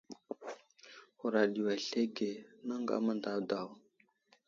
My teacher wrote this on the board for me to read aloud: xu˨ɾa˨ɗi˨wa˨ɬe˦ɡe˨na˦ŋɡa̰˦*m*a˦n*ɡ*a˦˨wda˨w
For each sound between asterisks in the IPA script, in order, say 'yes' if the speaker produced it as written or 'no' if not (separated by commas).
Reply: yes, no